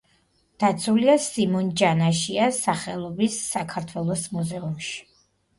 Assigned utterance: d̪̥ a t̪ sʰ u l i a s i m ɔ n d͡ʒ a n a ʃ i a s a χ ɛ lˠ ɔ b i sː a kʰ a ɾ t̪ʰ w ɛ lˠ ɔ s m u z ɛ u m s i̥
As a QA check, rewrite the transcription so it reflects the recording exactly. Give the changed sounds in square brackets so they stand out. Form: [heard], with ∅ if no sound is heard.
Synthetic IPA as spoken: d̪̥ a t̪ sʰ u l i a s i m ɔ n d͡ʒ a n a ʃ i a s a χ ɛ lˠ ɔ b i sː a kʰ a ɾ t̪ʰ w ɛ lˠ ɔ s m u z ɛ u m [ʃ] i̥